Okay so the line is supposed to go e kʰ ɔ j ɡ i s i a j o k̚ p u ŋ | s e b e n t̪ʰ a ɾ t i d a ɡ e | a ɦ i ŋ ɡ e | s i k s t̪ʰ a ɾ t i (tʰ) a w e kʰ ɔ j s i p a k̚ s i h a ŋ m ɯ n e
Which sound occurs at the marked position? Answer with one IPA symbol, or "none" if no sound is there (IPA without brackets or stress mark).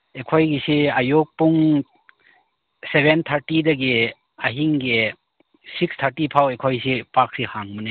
pʰ